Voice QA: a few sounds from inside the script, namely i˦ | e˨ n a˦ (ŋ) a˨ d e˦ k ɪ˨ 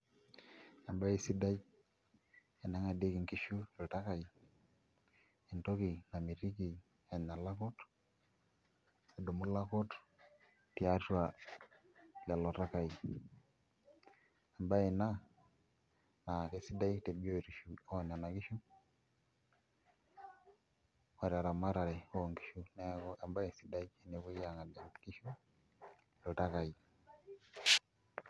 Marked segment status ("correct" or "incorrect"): correct